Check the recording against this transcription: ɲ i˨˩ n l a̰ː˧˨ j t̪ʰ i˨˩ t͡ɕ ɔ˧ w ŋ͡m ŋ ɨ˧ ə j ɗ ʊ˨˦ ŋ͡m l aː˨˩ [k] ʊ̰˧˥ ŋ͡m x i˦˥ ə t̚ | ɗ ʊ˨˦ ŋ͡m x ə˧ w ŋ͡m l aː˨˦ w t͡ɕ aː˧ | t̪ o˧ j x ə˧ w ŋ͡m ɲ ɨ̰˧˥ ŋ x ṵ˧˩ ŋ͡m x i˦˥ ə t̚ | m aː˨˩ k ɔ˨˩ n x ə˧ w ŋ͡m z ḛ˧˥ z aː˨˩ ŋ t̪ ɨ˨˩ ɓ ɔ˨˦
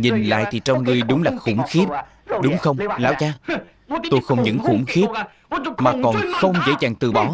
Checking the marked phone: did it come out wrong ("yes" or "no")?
yes